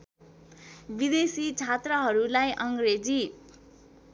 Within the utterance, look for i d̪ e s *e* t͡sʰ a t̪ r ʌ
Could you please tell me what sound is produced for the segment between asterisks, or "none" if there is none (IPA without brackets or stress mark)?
i